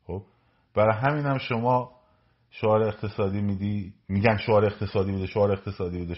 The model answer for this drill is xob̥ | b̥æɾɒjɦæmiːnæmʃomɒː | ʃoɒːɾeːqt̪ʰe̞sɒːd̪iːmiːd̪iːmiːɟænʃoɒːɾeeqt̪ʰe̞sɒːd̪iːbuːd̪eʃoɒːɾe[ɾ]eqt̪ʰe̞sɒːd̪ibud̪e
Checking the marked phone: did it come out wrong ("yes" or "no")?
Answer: yes